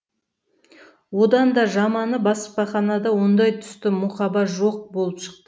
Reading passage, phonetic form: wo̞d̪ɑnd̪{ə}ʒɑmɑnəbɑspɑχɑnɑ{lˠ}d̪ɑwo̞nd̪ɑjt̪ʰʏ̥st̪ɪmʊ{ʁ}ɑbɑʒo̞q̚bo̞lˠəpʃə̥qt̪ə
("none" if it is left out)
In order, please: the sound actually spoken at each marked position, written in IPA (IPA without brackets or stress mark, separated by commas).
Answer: ɑ, none, χ